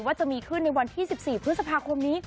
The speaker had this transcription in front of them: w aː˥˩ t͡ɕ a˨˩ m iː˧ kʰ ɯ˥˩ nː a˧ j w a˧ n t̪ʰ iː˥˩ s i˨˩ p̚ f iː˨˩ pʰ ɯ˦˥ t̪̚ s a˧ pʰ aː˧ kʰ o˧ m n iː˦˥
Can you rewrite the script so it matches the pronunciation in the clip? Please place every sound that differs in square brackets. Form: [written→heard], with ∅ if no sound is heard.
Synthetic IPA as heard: w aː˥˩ t͡ɕ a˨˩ m iː˧ kʰ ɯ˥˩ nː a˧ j w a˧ n t̪ʰ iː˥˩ s i˨˩ p̚ [f→s] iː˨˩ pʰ ɯ˦˥ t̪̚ s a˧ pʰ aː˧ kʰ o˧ m n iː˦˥